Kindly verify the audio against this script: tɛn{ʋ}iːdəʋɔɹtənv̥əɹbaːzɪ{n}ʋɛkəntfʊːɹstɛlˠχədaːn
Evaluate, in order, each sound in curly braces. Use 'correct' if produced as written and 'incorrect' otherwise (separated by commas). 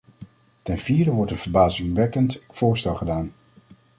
incorrect, incorrect